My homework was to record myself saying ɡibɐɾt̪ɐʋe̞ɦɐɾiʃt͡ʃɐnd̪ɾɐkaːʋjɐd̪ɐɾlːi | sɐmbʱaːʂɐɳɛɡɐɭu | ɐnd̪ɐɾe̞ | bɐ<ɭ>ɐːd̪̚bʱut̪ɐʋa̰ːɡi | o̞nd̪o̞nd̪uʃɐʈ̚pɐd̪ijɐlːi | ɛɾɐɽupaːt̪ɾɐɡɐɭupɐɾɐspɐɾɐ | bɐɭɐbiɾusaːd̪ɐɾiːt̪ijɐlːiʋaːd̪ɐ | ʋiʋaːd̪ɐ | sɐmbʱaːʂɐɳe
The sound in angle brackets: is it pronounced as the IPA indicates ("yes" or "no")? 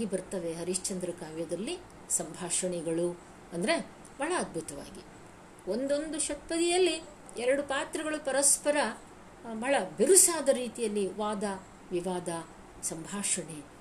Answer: yes